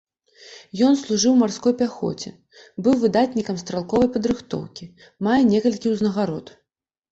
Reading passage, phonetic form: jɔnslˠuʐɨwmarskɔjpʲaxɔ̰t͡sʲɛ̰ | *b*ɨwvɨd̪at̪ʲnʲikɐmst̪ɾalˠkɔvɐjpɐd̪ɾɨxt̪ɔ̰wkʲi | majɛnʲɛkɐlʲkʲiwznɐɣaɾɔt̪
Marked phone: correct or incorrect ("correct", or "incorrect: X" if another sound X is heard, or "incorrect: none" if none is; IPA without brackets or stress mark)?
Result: correct